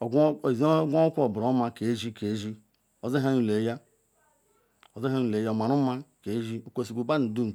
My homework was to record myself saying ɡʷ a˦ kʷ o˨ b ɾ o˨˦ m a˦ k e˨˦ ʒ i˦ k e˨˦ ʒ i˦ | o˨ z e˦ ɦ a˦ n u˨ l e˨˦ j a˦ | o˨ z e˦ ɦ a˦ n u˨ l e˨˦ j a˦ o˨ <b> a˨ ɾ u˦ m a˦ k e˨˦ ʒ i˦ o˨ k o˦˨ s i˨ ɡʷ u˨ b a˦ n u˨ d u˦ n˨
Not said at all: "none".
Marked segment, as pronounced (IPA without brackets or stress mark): m